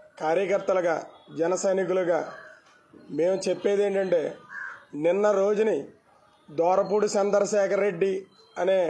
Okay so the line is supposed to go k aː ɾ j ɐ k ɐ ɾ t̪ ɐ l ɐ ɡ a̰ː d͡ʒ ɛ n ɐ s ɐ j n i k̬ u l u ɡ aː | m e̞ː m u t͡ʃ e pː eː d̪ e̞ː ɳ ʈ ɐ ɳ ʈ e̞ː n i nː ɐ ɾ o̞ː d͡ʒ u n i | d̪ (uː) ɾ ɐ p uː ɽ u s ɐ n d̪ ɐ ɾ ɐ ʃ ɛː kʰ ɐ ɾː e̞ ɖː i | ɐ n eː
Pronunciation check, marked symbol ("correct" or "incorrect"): incorrect